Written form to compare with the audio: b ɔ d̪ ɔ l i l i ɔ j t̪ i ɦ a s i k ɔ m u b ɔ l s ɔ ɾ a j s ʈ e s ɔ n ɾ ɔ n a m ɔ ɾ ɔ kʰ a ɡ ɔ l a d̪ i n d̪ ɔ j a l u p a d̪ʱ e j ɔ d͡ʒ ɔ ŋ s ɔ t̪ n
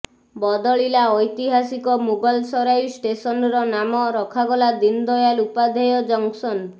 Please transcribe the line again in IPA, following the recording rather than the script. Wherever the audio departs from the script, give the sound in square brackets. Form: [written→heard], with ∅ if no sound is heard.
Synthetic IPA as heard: b ɔ d̪ ɔ [l→ɭ] i l [i→a] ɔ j t̪ i ɦ a s i k ɔ m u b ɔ l s ɔ ɾ a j s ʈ e s ɔ n ɾ ɔ n a m ɔ ɾ ɔ kʰ a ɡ ɔ l a d̪ i n d̪ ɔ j a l u p a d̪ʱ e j ɔ d͡ʒ ɔ ŋ s ɔ [t̪→∅] n